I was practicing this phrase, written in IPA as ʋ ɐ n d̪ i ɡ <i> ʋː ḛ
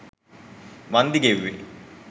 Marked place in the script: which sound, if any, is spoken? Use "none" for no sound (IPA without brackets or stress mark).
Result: e